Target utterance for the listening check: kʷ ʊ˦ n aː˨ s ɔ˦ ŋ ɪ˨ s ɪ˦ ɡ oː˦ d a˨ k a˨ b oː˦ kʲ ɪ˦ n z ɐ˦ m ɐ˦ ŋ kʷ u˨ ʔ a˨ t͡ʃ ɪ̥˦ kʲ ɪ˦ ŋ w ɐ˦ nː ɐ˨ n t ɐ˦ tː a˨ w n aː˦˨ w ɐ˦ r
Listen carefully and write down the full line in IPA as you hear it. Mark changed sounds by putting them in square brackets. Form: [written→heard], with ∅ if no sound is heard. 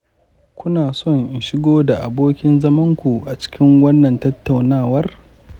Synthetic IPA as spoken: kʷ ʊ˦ n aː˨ s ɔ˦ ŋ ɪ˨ [s→ʃ] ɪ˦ ɡ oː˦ d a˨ [k→ʔ] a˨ b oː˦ kʲ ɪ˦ n z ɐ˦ m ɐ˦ ŋ kʷ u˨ ʔ a˨ t͡ʃ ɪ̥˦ kʲ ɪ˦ ŋ w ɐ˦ nː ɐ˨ n t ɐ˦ tː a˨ w n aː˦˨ w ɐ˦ r